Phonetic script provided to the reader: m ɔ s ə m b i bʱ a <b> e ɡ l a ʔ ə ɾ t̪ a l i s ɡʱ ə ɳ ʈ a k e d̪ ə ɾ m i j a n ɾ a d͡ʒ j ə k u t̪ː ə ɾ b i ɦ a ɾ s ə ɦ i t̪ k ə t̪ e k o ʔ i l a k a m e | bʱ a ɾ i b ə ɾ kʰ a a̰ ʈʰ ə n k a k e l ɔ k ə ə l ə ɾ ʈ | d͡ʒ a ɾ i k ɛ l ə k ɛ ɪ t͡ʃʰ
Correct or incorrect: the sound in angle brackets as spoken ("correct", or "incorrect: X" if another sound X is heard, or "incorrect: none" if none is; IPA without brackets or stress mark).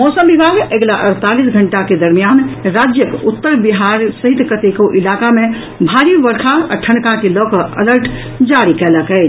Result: incorrect: ɡ